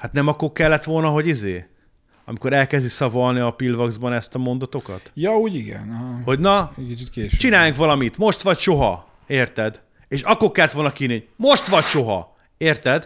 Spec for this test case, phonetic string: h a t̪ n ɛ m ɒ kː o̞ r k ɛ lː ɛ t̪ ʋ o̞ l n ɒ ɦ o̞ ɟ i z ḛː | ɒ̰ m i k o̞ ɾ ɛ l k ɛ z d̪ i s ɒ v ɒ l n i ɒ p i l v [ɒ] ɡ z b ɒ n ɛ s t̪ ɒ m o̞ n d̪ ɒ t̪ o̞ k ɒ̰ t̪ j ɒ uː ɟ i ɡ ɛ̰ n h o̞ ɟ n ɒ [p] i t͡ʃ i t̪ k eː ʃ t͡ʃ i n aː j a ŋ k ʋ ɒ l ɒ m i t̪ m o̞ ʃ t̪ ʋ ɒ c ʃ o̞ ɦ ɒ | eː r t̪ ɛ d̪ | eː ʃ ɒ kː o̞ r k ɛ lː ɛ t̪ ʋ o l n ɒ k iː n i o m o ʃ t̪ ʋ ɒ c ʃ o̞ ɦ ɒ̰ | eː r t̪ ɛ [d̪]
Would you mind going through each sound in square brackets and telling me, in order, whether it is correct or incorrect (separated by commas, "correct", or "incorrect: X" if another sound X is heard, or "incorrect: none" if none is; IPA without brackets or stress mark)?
correct, incorrect: k, correct